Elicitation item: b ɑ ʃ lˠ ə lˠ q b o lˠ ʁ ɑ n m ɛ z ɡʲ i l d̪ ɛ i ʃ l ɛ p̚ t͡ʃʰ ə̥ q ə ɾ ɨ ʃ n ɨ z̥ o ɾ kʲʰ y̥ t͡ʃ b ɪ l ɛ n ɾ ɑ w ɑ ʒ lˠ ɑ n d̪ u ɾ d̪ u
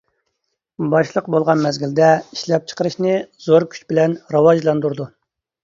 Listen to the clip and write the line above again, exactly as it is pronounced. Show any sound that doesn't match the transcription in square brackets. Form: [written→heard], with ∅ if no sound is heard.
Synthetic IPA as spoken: b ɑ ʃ lˠ ə [lˠ→∅] q b o lˠ ʁ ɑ n m ɛ z ɡʲ i l d̪ ɛ i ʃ l ɛ p̚ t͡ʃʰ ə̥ q ə ɾ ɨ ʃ n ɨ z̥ o ɾ kʲʰ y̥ t͡ʃ b ɪ l ɛ n ɾ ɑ w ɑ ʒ lˠ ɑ n d̪ u ɾ d̪ u